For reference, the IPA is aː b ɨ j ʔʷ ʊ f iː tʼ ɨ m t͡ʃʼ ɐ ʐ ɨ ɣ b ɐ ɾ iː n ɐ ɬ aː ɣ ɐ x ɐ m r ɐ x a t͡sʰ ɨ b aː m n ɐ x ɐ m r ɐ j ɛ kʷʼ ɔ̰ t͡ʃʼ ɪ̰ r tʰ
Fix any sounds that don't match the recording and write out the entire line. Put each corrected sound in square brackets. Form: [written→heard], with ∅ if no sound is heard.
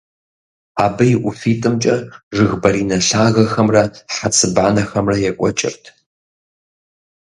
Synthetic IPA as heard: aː b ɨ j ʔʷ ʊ f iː tʼ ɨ m t͡ʃʼ ɐ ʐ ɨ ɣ b ɐ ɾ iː n ɐ ɬ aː ɣ ɐ x ɐ m r ɐ [x→ħ] a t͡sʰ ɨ b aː [m→∅] n ɐ x ɐ m r ɐ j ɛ kʷʼ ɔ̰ t͡ʃʼ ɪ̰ r tʰ